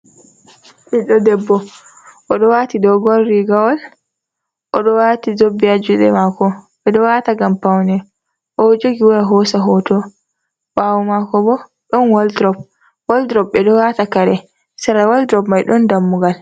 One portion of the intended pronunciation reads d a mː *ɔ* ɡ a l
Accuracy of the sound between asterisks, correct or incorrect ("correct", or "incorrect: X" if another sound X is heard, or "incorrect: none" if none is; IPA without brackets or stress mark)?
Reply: incorrect: u